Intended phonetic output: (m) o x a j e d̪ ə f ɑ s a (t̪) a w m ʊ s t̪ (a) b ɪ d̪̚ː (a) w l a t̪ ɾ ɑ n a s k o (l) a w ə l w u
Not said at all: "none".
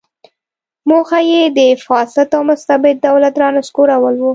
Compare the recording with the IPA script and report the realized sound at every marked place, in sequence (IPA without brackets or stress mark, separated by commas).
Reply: m, t̪, a, a, ɾ